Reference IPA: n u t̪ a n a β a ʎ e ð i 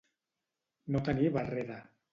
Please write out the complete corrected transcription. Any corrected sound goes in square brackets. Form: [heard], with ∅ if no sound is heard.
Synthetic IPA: n [o] t̪ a n [i] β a [r] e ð [a]